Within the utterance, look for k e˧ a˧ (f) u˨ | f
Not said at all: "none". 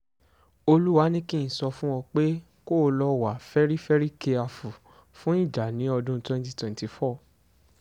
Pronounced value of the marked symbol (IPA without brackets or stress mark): f